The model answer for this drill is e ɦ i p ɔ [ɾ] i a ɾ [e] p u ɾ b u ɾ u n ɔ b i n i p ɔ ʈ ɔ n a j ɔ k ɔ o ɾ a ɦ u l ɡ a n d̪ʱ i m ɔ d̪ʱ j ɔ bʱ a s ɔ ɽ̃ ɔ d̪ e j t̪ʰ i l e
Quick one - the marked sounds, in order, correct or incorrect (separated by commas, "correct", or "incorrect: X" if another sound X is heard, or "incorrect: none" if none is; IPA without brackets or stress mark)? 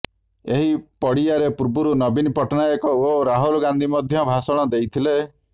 incorrect: ɽ, correct